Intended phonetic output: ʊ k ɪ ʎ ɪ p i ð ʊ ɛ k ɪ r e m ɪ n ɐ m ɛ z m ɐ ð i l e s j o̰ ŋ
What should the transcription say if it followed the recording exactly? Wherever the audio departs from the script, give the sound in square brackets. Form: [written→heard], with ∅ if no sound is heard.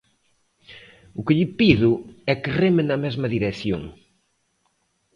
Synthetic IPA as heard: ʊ k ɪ ʎ ɪ p i ð ʊ ɛ k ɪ r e m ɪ n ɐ m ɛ z m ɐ ð i [l→ɾ] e [s→θ] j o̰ ŋ